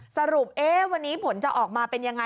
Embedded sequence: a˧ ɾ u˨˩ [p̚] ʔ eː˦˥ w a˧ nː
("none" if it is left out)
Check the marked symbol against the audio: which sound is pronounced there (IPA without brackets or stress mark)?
p̚